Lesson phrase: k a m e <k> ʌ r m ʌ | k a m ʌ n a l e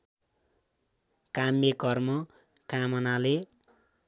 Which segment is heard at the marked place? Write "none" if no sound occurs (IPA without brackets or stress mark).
k